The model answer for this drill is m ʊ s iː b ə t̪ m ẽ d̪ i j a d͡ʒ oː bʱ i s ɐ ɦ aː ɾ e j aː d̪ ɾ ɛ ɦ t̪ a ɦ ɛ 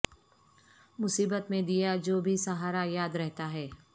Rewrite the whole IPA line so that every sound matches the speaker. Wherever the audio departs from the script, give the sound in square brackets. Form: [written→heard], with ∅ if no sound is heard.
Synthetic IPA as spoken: m ʊ s iː b ə t̪ m ẽ d̪ i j a d͡ʒ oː bʱ i s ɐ ɦ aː ɾ [e→a] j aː d̪ ɾ ɛ ɦ t̪ a ɦ [ɛ→ɛː]